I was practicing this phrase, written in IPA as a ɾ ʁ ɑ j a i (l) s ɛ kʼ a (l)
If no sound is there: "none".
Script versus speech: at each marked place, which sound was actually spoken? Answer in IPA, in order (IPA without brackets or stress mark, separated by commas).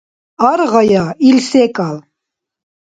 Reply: l, l